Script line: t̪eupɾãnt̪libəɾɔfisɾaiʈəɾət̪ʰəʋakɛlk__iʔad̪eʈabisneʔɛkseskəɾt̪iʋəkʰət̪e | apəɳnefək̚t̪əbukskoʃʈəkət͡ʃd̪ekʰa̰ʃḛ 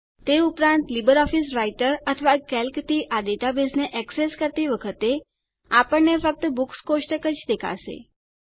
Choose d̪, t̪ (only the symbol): t̪